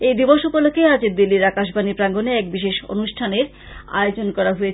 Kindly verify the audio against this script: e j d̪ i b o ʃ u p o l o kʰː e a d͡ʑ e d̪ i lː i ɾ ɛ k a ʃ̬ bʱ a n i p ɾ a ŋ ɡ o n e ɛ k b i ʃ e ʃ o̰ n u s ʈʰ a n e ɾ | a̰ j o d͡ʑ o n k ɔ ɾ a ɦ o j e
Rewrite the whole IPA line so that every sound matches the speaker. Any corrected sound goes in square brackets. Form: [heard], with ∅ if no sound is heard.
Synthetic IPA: e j d̪ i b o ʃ u p o l o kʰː e a d͡ʑ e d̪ i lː i ɾ [a] k a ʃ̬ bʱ a n i p ɾ a ŋ ɡ o n e ɛ k b i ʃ e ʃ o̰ n u [ʃ] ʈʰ a n e ɾ | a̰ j o d͡ʑ o n k ɔ ɾ a ɦ o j e

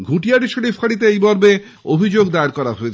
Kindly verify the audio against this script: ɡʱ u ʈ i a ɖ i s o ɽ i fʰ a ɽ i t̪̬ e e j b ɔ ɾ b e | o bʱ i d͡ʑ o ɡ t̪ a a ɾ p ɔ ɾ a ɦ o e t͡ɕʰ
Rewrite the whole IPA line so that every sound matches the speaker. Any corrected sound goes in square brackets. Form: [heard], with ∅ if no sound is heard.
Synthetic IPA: ɡʱ u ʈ i a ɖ i [ʃ] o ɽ i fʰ a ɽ i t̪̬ e e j b ɔ ɾ b e | o bʱ i d͡ʑ o ɡ [d̪] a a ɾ [k] ɔ ɾ a ɦ o e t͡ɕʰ

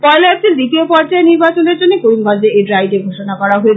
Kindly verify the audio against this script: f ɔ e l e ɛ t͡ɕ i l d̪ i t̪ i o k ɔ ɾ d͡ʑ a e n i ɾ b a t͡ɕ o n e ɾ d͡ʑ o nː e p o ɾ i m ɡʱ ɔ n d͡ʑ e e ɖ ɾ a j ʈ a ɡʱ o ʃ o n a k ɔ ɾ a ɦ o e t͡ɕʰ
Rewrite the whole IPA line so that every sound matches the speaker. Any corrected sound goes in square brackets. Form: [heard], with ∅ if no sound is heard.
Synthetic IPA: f ɔ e l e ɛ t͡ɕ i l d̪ i t̪ i o [p] ɔ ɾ d͡ʑ a e n i ɾ b a t͡ɕ o n e ɾ d͡ʑ o nː e [k] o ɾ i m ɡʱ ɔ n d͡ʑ e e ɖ ɾ a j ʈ [e] ɡʱ o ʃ o n a k ɔ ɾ a ɦ o e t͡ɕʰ

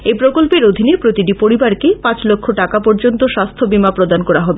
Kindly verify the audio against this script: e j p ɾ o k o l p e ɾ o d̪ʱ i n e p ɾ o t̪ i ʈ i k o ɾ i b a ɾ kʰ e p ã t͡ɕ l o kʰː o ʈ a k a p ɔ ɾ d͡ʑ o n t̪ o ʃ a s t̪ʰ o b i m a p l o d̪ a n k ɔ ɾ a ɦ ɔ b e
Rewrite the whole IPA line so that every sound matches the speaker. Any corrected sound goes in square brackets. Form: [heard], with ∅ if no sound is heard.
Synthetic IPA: e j p ɾ o k o l p e ɾ o d̪ʱ i n e p ɾ o t̪ i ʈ i [p] o ɾ i b a ɾ [k] e p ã t͡ɕ l o kʰː o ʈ a k a p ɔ ɾ d͡ʑ o n t̪ o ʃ a s t̪ʰ o b i m a p [ɾ] o d̪ a n k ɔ ɾ a ɦ ɔ b e

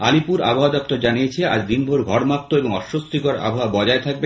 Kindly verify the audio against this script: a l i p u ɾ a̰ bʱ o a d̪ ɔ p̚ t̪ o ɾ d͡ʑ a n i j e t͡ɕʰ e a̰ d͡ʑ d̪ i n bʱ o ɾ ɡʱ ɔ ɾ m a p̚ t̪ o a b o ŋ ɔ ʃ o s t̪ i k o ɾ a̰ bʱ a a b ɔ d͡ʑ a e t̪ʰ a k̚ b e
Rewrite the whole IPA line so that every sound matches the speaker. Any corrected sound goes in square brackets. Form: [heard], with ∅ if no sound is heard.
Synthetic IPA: a l i p u ɾ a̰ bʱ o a d̪ ɔ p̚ t̪ o ɾ d͡ʑ a n i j e t͡ɕʰ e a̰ d͡ʑ d̪ i n bʱ o ɾ ɡʱ ɔ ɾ m a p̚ t̪ o [e] b o ŋ ɔ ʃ o s t̪ i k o ɾ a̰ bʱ a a b ɔ d͡ʑ a e t̪ʰ a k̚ b e

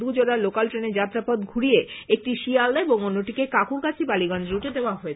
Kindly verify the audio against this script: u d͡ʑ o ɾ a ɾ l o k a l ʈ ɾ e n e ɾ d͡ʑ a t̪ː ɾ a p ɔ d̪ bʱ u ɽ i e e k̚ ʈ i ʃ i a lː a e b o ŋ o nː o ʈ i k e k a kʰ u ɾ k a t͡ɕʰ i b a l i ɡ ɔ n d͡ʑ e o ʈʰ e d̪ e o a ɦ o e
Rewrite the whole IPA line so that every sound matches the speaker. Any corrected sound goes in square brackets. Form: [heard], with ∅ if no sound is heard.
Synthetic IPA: u d͡ʑ o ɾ a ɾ l o k a l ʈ ɾ e n e ɾ d͡ʑ a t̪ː ɾ a p ɔ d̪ [ɡʱ] u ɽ i e e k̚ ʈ i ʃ i a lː a e b o ŋ o nː o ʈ i k e k a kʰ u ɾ k a t͡ɕʰ i b a l i ɡ ɔ n d͡ʑ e [u] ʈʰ e d̪ e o a ɦ o e

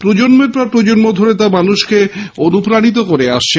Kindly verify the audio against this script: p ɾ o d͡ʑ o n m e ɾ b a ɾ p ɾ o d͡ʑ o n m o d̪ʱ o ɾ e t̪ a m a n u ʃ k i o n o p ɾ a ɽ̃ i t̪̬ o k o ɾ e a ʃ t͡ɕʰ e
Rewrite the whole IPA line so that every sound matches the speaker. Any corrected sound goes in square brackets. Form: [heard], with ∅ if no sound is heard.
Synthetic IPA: p ɾ o d͡ʑ o n m e ɾ [p] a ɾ p ɾ o d͡ʑ o n m o d̪ʱ o ɾ e t̪ a m a n u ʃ k [e] o n [u] p ɾ a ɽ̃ i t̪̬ o k o ɾ e a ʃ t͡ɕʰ e

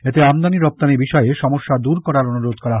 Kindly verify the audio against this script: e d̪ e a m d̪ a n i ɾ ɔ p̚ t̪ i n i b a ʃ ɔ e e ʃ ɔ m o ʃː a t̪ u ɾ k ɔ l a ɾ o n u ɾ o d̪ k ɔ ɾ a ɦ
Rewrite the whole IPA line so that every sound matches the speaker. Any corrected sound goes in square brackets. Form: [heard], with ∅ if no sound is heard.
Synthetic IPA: e [t̪] e a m d̪ a n i ɾ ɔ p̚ t̪ [a] n i b [i] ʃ ɔ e e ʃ ɔ m o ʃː a [d̪] u ɾ k ɔ [ɾ] a ɾ o n u ɾ o d̪ k ɔ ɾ a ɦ

